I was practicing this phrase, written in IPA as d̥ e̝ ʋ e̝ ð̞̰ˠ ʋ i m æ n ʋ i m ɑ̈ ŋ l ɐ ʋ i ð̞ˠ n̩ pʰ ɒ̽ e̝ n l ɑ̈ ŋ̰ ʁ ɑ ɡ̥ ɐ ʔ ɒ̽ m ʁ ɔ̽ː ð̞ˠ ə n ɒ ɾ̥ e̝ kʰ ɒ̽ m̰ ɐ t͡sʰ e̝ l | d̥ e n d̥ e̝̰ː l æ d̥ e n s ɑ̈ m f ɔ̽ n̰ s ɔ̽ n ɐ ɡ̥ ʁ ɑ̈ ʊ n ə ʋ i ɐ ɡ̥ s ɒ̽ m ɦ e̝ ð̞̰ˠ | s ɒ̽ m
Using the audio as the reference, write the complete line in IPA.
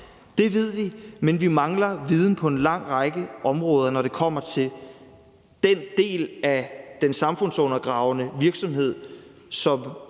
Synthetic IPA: d̥ e̝ ʋ e̝ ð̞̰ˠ ʋ i m e n ʋ i m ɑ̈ ŋ l ɐ ʋ i ð̞ˠ n̩ pʰ ɒ̽ e̝ n l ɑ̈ ŋ̰ ʁ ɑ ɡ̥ ə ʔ ɒ̽ m ʁ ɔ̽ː ð̞ˠ ɐ n ɒ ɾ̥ e̝ kʰ ɒ̽ m̰ ɐ t͡sʰ e̝ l | d̥ e n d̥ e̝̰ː l æ d̥ e n s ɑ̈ m f ɔ̽ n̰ s ɔ̽ n ɐ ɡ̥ ʁ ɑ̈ ʊ n ə ʋ i ɐ ɡ̥ s ɒ̽ m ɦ e̝ ð̞̰ˠ | s ɒ̽ m

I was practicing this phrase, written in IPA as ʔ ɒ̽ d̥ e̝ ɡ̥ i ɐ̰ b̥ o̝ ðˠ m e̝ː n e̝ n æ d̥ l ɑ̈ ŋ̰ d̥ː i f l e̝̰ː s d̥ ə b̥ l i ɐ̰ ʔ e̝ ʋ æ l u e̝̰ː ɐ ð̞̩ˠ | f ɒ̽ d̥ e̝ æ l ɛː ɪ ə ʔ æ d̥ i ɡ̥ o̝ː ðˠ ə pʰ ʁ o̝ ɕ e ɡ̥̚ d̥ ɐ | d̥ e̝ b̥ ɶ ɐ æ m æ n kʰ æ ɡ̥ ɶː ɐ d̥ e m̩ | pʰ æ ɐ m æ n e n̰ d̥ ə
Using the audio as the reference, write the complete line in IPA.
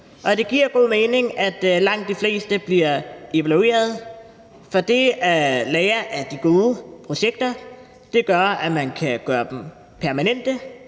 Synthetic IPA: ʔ ɒ̽ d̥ e̝ ɡ̥ i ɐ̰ ɡ̥ o̝ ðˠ m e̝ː n e̝ ŋ æ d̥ l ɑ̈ ŋ̰ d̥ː i f l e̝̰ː s d̥ ə b̥ l i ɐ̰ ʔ e̝ ʋ æ l u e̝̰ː ɐ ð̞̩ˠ | f ɒ̽ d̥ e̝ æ l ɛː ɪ ɐ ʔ æ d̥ i ɡ̥ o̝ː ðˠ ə pʰ ʁ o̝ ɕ e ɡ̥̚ d̥ ɐ | d̥ e̝ ɡ̥ ɶ ɐ æ m æ n kʰ æ ɡ̥ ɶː ɐ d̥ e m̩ | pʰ æ ɐ m æ n e n̰ d̥ ə

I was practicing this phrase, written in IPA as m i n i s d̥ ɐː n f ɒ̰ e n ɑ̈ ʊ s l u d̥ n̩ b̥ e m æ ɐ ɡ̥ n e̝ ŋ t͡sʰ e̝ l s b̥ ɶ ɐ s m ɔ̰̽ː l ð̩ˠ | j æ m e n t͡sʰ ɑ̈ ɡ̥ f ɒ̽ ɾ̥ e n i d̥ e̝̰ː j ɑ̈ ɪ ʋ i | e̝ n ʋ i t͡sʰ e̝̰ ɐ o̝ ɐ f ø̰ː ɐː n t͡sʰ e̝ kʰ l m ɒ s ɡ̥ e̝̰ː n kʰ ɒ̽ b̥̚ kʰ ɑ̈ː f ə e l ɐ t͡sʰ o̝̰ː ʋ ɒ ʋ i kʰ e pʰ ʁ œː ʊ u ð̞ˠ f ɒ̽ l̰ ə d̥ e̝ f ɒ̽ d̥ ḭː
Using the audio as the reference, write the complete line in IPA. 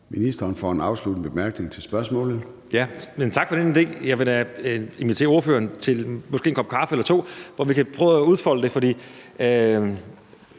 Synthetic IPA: m i n i s d̥ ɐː n f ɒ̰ e n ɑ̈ ʊ s l u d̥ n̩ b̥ e m æ ɐ ɡ̥ n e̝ ŋ t͡sʰ e̝ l s b̥ ɶ ɐ s m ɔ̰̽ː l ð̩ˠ | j æ m e n t͡sʰ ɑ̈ ɡ̥ f ɒ̽ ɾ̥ e n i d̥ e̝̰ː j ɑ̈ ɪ ʋ e | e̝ n ʋ i t͡sʰ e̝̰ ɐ o̝ ɐ f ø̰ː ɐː n t͡sʰ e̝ l m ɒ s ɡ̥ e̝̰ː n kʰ ɒ̽ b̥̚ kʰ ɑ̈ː f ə e l ɐ t͡sʰ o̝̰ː ʋ ɒ ʋ i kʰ æ pʰ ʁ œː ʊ u ð̞ˠ f ɒ̽ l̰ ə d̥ e̝ f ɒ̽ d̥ ḭː

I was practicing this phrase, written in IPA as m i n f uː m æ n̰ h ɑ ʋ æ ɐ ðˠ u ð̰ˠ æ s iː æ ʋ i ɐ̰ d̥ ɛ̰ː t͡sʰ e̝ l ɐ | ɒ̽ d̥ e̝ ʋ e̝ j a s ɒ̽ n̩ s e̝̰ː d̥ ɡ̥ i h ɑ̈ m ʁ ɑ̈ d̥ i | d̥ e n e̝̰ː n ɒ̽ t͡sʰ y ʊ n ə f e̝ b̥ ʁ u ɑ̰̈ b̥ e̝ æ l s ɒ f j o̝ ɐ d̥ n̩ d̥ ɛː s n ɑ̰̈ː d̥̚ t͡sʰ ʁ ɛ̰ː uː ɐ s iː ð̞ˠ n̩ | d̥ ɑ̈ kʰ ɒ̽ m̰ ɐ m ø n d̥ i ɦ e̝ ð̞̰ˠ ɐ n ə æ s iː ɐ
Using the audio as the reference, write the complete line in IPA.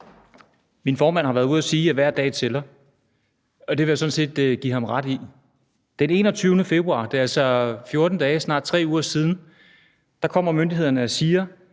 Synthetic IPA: m i n f ɒː m æ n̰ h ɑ ʋ æ ɐ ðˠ u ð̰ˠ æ s iː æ ʋ æ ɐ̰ d̥ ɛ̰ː t͡sʰ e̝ l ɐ | ɒ̽ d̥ e̝ ʋ e̝ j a s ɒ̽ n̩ s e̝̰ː d̥ ɡ̥ i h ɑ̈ m ʁ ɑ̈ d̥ i | d̥ e n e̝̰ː n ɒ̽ t͡sʰ y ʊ n ə f e̝ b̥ ʁ u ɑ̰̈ d̥ e̝ æ l s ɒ f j o̝ ɐ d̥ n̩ d̥ ɛː s n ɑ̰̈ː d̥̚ t͡sʰ ʁ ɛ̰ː uː ɐ s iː ð̞ˠ n̩ | d̥ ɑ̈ kʰ ɒ̽ m̰ ɐ m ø n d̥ i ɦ e̝ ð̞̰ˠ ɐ n ə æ s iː ɐ

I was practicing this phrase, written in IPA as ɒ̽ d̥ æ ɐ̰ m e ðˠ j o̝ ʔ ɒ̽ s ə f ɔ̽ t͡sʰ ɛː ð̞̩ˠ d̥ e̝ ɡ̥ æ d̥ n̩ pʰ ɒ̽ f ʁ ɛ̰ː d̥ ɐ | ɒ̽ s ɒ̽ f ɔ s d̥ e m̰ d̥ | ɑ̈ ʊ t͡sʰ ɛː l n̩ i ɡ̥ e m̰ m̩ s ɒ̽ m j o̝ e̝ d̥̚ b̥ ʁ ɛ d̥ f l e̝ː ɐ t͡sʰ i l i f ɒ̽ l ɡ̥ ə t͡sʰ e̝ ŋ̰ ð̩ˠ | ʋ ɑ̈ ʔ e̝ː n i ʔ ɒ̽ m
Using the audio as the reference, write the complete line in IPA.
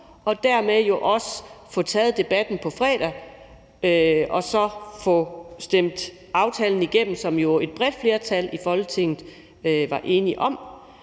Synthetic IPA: ɒ̽ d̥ æ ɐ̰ m e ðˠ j o̝ ʔ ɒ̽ s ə f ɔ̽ t͡sʰ ɛː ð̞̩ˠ d̥ e̝ b̥ æ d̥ n̩ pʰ ɒ̽ f ʁ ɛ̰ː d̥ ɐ | ɒ̽ s ɒ̽ f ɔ s d̥ e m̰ d̥ | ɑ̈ ʊ t͡sʰ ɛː l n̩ i ɡ̥ e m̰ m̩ s ɒ̽ m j o̝ e̝ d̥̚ b̥ ʁ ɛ d̥ f l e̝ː ɐ t͡sʰ æ l i f ɒ̽ l ɡ̥ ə t͡sʰ e̝ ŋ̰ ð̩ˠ | ʋ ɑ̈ ʔ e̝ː n i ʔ ɒ̽ m

